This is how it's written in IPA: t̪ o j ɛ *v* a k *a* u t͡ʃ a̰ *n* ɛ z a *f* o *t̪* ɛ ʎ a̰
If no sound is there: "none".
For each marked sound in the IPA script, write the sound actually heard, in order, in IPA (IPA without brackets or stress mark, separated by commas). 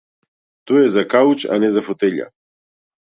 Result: z, a, n, f, t̪